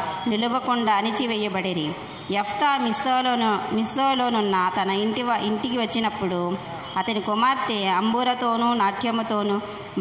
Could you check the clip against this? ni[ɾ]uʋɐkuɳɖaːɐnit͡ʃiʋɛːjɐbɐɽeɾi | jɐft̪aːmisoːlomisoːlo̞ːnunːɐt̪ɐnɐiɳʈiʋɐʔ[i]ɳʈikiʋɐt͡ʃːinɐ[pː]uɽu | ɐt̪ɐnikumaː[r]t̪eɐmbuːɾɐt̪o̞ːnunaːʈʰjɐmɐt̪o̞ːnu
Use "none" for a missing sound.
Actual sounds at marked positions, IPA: l, i, pː, ɾ

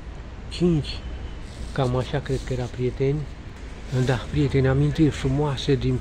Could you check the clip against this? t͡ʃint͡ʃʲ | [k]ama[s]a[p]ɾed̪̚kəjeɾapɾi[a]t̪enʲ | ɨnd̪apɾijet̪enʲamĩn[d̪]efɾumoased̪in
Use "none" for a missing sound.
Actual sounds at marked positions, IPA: k, ʃ, k, e, t̪

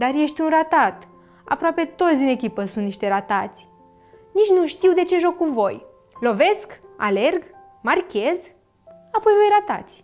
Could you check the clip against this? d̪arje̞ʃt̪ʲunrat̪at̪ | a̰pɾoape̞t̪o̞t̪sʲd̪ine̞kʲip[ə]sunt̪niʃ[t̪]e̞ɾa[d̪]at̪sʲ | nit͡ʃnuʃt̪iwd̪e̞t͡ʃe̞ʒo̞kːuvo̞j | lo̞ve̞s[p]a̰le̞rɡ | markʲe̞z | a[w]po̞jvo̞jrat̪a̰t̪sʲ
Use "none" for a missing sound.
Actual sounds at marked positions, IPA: ə, t̪, t̪, k, none

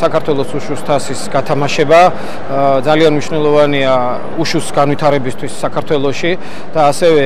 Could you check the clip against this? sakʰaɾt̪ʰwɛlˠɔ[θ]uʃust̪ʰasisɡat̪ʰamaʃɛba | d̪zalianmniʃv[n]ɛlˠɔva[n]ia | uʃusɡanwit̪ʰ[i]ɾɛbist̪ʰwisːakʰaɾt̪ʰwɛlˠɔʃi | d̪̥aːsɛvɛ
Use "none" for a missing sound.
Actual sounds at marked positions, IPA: s, n, n, a

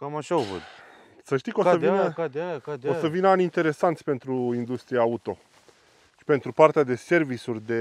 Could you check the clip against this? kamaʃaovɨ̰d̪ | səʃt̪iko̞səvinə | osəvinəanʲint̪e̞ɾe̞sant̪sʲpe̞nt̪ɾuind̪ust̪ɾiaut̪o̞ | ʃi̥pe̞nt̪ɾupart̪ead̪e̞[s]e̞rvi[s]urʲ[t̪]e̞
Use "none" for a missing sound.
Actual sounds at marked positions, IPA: s, s, d̪

